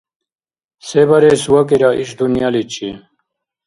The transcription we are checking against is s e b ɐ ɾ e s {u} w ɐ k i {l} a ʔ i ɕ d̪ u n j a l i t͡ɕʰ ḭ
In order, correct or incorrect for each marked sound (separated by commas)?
correct, incorrect